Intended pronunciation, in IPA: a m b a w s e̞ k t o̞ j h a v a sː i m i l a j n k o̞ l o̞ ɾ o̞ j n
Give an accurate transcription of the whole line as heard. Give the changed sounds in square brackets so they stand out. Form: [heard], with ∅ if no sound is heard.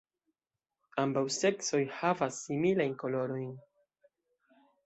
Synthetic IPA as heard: a m b a w s e̞ k [s] o̞ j h a v a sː i m i l a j n k o̞ l o̞ ɾ o̞ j n

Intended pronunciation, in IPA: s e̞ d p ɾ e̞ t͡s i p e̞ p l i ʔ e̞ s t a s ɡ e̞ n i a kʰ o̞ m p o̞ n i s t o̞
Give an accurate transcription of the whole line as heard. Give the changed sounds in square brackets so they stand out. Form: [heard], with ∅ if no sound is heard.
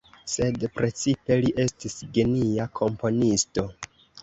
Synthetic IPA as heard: s e̞ d p ɾ e̞ t͡s i p e̞ [∅] l i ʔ e̞ s t [i] s ɡ e̞ n i a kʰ o̞ m p o̞ n i s t o̞

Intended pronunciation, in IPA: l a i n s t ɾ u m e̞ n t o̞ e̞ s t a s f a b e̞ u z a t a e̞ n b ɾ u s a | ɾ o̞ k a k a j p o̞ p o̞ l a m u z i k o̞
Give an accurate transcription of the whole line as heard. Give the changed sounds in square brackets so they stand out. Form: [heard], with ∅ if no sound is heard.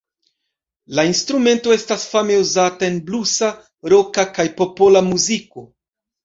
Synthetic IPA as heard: l a i n s t ɾ u m e̞ n t o̞ e̞ s t a s f a [m] e̞ u z a t a e̞ n b [l] u s a | ɾ o̞ k a k a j p o̞ p o̞ l a m u z i k o̞

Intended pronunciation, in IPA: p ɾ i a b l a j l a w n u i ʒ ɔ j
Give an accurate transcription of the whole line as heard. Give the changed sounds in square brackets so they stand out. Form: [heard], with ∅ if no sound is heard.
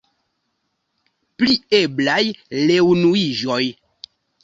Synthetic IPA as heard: p [l] i [e] b l a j l [e] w n u i ʒ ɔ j

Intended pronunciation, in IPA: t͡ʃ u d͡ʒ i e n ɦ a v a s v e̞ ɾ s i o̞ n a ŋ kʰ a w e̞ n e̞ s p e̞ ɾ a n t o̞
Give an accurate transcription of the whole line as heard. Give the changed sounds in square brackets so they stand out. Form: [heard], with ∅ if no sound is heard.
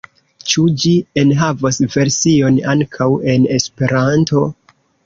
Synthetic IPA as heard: t͡ʃ u d͡ʒ i e n ɦ a v a s v e̞ ɾ s i o̞ n a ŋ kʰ a w e̞ n e̞ s p e̞ ɾ a n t o̞

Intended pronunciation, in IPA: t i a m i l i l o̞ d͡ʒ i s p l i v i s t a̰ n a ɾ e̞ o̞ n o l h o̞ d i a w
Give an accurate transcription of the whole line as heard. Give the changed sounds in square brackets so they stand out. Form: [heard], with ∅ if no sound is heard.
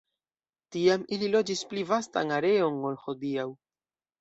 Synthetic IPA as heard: t i a m i l i l o̞ d͡ʒ i s p l i v [a] s t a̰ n a ɾ e̞ o̞ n o l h o̞ d i a w

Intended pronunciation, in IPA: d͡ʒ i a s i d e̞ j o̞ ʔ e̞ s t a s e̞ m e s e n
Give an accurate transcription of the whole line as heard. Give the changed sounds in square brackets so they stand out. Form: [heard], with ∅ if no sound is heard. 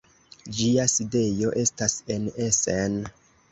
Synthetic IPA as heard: d͡ʒ i a s i d e̞ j o̞ ʔ e̞ s t a s e̞ [n] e s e n

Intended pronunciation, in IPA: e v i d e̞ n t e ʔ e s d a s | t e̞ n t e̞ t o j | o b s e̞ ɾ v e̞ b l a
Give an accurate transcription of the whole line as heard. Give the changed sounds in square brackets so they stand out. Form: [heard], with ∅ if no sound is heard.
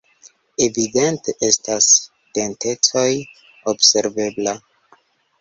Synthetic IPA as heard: e v i d e̞ n t e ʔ e s [t] a s | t e̞ n t e̞ [t͡s] o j | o b s e̞ ɾ v e̞ b l a

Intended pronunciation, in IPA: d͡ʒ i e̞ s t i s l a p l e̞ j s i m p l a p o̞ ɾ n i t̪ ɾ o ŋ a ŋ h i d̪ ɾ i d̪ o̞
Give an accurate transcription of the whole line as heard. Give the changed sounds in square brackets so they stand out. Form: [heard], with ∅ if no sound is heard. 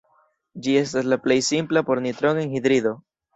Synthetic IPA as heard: d͡ʒ i e̞ s t [a] s l a p l e̞ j s i m p l a p o̞ ɾ n i t̪ ɾ o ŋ [e] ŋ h i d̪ ɾ i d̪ o̞

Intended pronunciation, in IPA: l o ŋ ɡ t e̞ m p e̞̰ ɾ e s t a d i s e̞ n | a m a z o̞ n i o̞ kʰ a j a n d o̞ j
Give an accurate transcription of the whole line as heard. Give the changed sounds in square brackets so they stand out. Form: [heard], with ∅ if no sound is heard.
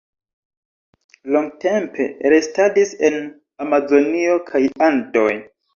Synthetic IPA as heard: l o ŋ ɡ t e̞ m p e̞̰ ɾ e s t a d i s e̞ n | a m a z o̞ n i o̞ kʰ a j a n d o̞ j

